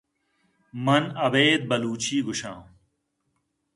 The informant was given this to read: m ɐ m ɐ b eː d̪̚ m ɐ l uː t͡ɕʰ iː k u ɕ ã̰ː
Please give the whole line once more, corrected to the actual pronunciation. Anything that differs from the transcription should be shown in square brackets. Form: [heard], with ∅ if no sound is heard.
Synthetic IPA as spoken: m ɐ [n] ɐ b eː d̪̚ [b] ɐ l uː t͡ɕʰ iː [ɡ] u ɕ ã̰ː